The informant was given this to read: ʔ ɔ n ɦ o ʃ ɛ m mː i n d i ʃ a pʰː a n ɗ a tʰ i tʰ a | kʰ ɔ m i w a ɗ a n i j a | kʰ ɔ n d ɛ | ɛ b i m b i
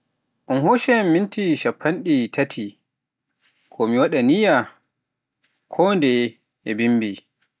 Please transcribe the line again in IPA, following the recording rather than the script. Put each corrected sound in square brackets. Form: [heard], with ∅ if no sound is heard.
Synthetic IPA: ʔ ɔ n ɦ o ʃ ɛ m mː i n [t] i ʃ a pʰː a n ɗ [i] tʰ [a] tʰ [i] | kʰ ɔ m i w a ɗ a n i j a | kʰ ɔ n d ɛ | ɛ b i m b i